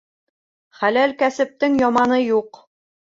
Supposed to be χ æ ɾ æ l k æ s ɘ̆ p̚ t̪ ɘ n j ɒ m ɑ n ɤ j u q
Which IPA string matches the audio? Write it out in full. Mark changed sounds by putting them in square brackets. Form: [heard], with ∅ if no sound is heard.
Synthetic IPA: χ æ [l] æ l k æ s ɘ̆ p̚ t̪ ɘ [ŋ] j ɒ m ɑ n ɤ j u q